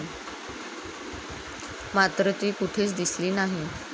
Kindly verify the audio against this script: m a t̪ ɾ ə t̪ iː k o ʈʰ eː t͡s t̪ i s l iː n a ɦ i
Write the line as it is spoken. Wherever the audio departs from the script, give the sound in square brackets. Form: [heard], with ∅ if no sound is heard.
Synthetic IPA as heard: m a t̪ ɾ ə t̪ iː k [u] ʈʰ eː t͡s [d̪] i s l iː n a ɦ i

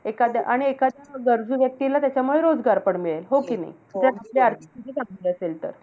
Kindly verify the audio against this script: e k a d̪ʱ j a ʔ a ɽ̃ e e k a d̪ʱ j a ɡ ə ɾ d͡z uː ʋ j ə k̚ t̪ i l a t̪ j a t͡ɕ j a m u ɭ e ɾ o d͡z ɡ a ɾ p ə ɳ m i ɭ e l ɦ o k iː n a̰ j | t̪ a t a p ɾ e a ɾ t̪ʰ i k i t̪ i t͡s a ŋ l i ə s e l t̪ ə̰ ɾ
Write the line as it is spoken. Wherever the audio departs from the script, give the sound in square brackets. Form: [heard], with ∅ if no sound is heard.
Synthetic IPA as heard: e k a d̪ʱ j a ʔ a ɽ̃ [i] e k a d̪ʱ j a ɡ ə ɾ d͡z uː ʋ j ə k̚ t̪ i l a t̪ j a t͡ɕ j a m u ɭ e ɾ o d͡z ɡ a ɾ p ə ɳ m i ɭ e l ɦ o k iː n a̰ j | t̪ a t a p [l] e a ɾ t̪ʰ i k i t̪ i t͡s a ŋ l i ə s e l t̪ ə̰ ɾ

